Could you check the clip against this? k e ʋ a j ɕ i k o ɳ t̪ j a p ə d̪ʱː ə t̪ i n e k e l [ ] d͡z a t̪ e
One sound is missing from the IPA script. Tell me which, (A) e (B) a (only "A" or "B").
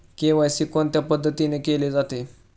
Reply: A